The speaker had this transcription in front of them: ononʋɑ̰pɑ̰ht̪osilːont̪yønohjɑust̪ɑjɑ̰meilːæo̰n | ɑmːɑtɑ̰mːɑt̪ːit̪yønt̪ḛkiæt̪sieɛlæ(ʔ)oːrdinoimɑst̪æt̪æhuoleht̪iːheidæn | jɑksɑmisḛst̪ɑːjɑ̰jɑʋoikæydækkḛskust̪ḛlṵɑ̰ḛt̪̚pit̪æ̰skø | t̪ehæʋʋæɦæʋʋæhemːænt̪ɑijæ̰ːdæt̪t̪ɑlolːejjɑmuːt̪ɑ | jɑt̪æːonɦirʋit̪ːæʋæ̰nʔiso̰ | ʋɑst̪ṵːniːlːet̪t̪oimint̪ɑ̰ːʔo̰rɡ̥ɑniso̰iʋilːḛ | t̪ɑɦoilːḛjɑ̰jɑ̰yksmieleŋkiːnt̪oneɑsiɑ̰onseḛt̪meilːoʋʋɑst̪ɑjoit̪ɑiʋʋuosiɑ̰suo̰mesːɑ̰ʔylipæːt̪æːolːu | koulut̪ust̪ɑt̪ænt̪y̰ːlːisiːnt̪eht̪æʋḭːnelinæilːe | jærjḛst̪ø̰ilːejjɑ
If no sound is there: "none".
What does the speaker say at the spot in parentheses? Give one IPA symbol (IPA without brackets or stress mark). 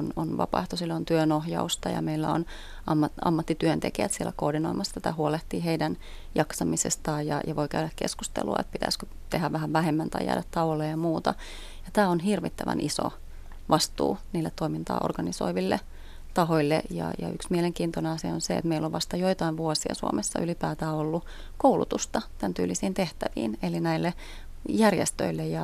k